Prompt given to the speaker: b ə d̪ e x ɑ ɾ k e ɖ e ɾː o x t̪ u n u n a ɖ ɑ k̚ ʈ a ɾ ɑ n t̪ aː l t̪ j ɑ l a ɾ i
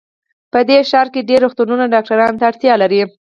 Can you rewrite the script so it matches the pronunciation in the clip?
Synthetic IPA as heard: p ə d̪ e ʃ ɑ ɾ k e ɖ e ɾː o x t̪ u n u n a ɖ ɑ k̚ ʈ a ɾ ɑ n t̪ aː ɽ t̪ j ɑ l a ɾ i